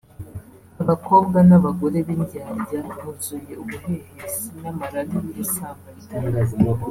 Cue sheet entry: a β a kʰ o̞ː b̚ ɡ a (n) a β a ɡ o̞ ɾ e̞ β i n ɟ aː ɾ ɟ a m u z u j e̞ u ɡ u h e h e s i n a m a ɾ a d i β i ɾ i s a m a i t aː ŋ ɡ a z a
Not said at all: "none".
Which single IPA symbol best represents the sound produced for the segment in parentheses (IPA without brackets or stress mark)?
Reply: n